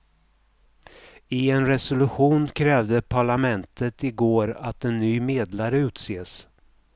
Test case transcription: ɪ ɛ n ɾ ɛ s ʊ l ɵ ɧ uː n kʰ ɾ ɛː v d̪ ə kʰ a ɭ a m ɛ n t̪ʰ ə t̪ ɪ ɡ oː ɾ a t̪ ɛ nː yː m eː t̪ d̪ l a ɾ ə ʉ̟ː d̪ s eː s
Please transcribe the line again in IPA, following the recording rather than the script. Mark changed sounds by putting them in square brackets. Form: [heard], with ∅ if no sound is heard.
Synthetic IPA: ɪ ɛ n ɾ ɛ s ʊ l ɵ ɧ uː n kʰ ɾ ɛː v d̪ ə [pʰ] a ɭ a m ɛ n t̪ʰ ə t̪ ɪ ɡ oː ɾ a t̪ ɛ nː yː m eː [∅] d̪ l a ɾ ə ʉ̟ː [t̪] s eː s